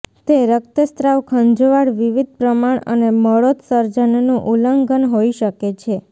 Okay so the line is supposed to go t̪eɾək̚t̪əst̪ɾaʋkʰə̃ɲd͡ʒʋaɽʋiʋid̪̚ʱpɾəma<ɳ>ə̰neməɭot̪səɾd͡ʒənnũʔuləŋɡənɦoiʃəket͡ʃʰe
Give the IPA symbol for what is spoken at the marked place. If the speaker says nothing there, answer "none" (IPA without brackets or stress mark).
ɳ